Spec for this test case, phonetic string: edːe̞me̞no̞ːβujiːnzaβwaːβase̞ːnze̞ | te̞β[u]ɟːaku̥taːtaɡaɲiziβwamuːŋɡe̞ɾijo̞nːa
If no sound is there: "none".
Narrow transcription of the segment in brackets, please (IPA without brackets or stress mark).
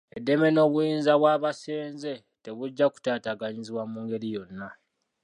u